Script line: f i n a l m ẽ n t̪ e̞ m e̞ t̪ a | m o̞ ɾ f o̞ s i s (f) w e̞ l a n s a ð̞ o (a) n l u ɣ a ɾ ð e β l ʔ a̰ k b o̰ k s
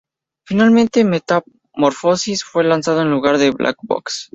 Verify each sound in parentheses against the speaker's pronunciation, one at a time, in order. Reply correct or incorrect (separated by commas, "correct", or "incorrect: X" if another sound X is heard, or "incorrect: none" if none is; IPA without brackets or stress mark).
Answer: correct, incorrect: e